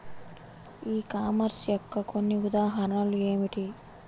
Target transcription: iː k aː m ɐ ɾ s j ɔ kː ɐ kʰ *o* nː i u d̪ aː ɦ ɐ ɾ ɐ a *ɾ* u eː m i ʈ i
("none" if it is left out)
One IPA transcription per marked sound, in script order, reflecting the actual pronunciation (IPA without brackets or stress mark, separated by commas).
o, l